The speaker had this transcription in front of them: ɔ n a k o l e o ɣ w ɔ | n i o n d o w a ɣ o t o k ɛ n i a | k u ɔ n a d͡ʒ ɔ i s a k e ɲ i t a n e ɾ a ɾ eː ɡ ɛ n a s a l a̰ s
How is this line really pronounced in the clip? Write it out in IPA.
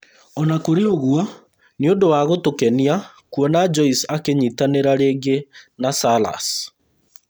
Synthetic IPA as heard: ɔ n a k o ɾ e o ɣ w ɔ | n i o n d o w a ɣ o t o k ɛ n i a | k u ɔ n a d͡ʒ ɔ i s a k e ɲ i t a n e ɾ a ɾ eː ɡ e n a s a l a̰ s